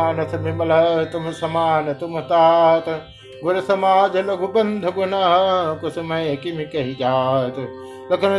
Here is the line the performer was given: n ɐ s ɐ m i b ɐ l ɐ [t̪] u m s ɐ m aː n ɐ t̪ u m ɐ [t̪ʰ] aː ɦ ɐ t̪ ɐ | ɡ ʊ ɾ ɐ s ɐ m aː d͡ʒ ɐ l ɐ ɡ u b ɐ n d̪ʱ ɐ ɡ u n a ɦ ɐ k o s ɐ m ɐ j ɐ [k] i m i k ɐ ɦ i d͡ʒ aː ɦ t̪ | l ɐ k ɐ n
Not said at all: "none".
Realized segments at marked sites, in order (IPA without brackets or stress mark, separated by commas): t̪, t̪, k